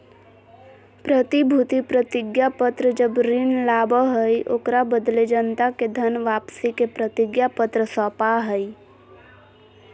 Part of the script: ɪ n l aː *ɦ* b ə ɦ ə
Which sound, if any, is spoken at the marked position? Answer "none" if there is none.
none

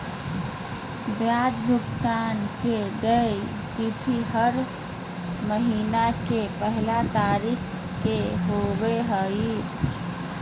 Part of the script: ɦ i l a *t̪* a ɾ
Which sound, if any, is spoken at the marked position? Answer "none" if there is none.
t̪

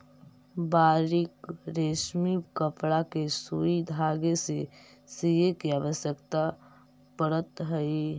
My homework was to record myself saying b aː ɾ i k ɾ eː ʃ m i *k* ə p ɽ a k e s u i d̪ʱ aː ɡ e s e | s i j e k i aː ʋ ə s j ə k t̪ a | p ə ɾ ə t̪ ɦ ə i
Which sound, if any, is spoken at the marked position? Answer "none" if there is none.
k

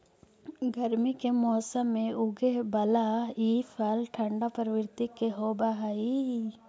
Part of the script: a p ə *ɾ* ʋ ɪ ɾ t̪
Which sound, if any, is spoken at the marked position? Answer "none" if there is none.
ɾ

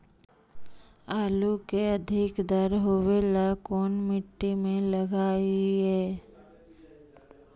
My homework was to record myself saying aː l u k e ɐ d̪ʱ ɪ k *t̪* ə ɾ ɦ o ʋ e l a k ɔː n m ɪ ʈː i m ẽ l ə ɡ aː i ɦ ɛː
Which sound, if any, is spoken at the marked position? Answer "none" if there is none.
d̪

